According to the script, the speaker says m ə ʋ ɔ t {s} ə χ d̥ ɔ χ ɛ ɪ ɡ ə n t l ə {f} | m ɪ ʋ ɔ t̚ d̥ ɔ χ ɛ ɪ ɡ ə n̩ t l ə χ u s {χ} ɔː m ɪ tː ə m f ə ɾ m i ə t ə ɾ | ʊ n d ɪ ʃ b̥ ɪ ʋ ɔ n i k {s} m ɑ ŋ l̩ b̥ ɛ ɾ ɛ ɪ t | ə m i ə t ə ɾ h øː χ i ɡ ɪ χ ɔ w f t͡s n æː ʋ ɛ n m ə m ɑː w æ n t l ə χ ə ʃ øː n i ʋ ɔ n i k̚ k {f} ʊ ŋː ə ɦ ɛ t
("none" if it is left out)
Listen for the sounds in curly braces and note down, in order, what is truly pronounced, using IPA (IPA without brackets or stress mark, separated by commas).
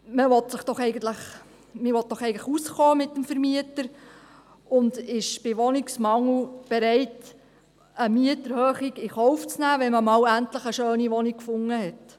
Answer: s, χ, χ, s, f